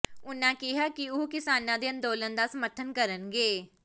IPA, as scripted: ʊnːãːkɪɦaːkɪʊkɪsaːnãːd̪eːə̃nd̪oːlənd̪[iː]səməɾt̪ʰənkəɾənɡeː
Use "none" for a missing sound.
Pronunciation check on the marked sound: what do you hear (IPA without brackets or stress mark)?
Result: aː